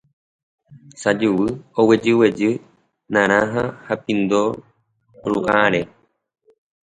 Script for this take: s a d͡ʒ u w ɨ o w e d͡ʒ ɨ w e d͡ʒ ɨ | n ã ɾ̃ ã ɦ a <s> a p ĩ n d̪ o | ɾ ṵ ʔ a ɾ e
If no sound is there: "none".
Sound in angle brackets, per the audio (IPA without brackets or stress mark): h